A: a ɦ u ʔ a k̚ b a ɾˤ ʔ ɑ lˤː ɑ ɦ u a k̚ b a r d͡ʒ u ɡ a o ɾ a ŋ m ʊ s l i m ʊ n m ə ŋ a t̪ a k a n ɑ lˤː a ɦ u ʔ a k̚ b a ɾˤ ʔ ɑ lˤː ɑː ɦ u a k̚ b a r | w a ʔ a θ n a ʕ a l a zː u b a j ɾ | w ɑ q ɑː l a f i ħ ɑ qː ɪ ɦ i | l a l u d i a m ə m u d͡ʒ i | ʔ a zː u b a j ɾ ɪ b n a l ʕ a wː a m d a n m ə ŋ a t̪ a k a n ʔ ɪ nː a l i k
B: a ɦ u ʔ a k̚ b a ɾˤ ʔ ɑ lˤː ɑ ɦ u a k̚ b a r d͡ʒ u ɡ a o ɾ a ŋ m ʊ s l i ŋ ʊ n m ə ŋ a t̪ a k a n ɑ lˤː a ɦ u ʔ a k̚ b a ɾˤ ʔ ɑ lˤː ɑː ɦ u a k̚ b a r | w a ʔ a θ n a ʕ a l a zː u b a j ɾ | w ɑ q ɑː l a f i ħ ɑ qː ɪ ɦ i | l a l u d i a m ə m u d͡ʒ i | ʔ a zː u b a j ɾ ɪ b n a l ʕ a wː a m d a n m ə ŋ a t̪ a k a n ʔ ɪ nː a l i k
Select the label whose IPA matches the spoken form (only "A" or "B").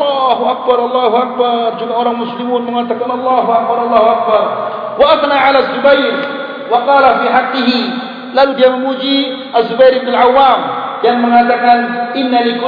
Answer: A